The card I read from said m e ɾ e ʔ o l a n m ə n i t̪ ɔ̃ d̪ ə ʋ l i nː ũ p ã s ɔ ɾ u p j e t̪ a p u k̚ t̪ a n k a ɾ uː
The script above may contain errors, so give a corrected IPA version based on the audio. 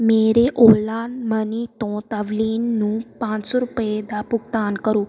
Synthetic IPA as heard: m e ɾ e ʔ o l a n m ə n i t̪ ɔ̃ t̪ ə ʋ l i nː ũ p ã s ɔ ɾ u p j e d̪ a p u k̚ t̪ a n k ə ɾ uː